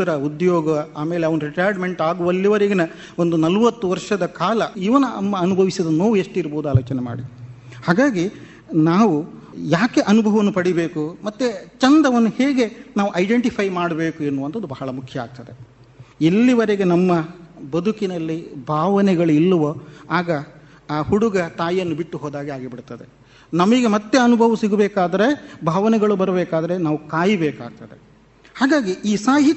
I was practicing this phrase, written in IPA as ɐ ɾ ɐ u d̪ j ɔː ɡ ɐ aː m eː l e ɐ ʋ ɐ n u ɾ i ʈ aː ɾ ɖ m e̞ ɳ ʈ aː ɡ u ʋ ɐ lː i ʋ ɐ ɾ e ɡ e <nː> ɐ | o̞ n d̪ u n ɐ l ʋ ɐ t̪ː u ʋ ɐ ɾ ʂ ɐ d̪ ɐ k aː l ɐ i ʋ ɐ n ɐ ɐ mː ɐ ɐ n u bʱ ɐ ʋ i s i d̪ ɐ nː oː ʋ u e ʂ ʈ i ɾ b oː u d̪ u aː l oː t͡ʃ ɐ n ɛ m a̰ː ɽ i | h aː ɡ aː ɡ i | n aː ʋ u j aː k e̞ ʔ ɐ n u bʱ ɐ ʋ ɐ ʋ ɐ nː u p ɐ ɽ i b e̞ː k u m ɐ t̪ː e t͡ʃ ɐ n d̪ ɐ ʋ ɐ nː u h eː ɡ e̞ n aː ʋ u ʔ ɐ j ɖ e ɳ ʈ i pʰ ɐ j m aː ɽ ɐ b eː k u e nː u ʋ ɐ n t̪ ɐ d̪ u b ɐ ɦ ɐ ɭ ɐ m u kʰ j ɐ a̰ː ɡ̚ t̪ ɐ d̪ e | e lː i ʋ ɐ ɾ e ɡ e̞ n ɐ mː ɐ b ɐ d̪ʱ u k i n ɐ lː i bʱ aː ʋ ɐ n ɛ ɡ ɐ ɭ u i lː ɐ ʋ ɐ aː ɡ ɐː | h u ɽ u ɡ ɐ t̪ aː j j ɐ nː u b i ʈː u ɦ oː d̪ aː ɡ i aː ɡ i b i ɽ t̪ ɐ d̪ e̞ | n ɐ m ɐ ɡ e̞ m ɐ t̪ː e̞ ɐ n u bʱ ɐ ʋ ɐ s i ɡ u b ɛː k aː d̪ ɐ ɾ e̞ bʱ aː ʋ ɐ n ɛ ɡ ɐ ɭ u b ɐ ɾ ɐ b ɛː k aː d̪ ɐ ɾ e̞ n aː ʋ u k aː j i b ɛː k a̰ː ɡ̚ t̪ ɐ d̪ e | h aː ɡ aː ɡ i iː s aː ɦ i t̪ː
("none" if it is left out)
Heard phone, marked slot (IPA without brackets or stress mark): n